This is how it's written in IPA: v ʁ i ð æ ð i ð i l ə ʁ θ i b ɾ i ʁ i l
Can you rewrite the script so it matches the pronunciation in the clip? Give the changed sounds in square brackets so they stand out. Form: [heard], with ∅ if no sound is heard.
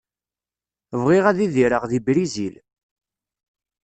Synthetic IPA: v ʁ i [ʁ] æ ð i ð i [ɾ] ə ʁ [ð] i b ɾ i [z] i l